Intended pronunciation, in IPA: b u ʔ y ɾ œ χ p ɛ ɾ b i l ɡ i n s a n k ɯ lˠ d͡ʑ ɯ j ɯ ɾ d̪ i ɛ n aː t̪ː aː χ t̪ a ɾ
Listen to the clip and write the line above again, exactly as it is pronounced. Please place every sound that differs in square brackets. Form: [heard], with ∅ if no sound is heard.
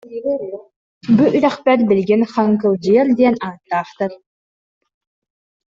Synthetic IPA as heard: b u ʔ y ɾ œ χ p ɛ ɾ b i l ɡ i n [χ] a [ŋ] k ɯ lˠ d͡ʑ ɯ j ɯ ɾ d̪ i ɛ n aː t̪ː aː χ t̪ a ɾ